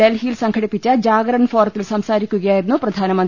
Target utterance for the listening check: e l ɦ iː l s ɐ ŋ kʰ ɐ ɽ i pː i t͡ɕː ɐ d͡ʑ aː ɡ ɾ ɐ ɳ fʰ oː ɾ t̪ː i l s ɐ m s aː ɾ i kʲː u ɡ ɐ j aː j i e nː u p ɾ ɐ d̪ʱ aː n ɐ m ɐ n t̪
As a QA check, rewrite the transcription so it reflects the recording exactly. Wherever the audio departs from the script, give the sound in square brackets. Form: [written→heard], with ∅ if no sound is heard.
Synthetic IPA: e l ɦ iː l s ɐ ŋ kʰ ɐ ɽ i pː i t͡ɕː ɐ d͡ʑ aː ɡ ɾ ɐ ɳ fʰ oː ɾ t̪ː i l s ɐ m s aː ɾ i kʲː u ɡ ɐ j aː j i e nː u p ɾ ɐ d̪ʱ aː n ɐ m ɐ n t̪

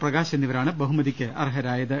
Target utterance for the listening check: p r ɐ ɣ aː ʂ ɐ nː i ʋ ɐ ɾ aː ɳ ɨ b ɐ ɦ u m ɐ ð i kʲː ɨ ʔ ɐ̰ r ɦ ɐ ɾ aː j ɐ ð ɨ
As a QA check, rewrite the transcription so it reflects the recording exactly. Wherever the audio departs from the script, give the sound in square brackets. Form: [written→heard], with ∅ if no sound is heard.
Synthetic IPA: p r ɐ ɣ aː [ʂ→ɕ] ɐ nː i ʋ ɐ ɾ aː ɳ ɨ b ɐ ɦ u m ɐ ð i kʲː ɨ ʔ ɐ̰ r ɦ ɐ ɾ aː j ɐ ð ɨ

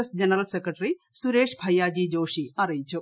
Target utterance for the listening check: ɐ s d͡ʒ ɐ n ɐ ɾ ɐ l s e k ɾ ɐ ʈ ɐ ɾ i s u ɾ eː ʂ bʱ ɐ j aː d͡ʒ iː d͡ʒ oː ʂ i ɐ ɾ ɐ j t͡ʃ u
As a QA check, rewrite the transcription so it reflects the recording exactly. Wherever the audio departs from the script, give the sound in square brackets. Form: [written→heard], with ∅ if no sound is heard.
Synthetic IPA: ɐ s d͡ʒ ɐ n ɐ ɾ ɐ l s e k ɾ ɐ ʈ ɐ ɾ i s u ɾ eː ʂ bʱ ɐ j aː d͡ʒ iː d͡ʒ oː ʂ i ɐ ɾ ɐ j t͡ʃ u

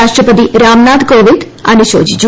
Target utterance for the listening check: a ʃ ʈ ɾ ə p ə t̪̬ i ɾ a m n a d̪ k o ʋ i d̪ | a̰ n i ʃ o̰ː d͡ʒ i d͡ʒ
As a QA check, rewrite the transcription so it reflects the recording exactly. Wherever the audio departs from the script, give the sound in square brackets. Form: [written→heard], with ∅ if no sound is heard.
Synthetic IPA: a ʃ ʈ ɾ ə p ə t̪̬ i ɾ a m n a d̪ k o ʋ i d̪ | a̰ n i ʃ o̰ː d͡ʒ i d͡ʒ

